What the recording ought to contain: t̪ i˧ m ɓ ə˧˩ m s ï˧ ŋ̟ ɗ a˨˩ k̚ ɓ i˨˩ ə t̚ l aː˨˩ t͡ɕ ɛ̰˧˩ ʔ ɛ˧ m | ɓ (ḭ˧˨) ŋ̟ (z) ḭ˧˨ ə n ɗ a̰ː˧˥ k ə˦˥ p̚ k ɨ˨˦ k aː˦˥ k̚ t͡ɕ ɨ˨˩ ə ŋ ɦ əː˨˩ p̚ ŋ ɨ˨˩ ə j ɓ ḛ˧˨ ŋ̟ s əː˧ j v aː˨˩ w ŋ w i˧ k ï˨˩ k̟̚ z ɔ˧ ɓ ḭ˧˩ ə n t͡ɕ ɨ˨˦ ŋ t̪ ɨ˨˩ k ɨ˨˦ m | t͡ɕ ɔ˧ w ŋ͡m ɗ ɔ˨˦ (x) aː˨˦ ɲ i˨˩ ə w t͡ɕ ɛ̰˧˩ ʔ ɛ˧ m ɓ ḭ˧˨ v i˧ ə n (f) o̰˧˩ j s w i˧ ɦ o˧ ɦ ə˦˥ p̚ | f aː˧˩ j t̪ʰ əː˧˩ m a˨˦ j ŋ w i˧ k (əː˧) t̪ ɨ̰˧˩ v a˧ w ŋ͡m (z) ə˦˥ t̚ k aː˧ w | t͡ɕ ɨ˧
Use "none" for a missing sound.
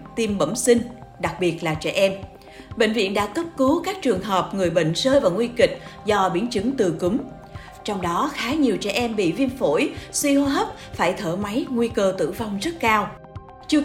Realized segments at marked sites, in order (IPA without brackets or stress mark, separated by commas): ḛ˧˨, v, x, f, əː˧, z